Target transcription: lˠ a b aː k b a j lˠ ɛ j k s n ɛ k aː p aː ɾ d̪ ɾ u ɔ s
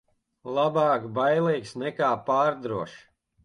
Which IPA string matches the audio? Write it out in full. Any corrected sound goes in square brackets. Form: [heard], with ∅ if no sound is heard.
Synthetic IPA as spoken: lˠ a b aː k b a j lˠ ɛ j k s n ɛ k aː p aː ɾ d̪ ɾ u ɔ [ʃ]